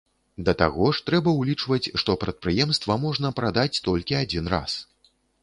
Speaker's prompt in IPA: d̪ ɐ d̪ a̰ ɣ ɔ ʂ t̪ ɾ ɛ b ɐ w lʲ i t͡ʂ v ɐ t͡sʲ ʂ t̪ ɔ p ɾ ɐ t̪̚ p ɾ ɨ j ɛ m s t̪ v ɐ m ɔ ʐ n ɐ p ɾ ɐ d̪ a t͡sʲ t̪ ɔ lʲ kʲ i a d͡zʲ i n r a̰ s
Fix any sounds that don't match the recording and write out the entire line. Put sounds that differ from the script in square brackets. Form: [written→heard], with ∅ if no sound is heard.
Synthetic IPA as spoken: d̪ ɐ [d̪→t̪] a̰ ɣ ɔ ʂ t̪ ɾ ɛ b ɐ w lʲ i t͡ʂ v ɐ t͡sʲ ʂ t̪ ɔ p ɾ ɐ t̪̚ p ɾ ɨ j ɛ m s t̪ v ɐ m ɔ ʐ n ɐ p ɾ [ɐ→a] d̪ a t͡sʲ t̪ ɔ lʲ kʲ i a d͡zʲ i n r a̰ s